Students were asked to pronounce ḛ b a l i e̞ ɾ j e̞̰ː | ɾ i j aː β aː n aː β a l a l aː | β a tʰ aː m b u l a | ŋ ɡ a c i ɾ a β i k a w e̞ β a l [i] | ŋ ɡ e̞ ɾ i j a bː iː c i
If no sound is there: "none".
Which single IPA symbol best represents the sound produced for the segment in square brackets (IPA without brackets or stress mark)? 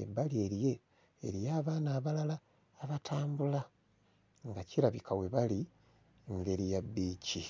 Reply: i